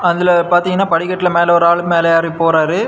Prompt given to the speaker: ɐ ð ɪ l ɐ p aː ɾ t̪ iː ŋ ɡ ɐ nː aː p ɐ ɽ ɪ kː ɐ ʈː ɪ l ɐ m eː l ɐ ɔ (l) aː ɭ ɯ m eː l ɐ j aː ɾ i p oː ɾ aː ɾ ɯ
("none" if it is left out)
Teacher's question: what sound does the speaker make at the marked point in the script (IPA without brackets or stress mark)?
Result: ɾ